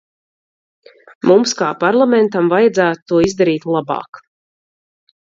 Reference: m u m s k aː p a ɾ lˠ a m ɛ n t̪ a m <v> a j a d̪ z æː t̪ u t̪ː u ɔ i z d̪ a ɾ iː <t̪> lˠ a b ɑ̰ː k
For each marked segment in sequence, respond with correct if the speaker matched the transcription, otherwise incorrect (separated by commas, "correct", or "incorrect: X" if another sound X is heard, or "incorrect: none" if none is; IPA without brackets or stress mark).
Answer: correct, correct